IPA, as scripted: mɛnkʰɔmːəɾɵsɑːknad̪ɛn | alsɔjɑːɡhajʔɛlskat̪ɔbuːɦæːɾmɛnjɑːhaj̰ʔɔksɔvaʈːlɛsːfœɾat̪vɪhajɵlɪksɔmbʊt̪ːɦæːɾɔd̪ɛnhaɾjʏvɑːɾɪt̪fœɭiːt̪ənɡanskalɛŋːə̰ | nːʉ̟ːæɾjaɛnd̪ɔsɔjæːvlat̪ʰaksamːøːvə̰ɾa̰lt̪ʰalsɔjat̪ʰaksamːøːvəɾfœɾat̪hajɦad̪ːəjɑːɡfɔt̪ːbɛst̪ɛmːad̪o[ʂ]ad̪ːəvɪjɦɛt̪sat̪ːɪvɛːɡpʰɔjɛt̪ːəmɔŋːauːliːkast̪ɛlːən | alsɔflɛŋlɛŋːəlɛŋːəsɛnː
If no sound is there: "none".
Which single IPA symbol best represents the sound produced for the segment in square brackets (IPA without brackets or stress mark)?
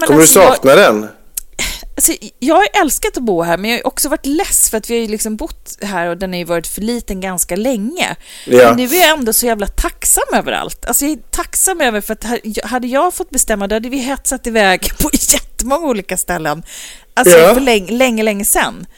h